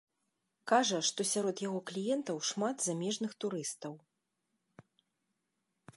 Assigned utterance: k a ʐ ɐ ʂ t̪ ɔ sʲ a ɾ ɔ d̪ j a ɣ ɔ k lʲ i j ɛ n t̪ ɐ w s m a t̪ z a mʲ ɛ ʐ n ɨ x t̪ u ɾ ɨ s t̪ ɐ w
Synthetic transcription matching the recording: k a ʐ ɐ ʂ t̪ ɔ sʲ a ɾ ɔ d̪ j a ɣ ɔ k lʲ i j ɛ n t̪ ɐ w ʂ m a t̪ z a mʲ ɛ ʐ n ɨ x t̪ u ɾ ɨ s t̪ ɐ w